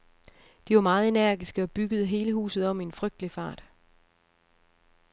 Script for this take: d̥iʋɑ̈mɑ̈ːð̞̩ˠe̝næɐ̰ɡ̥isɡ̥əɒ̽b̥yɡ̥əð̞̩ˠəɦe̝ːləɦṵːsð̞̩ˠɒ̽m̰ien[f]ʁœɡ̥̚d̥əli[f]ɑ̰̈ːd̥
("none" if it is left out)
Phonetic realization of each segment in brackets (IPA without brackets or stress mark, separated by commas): f, f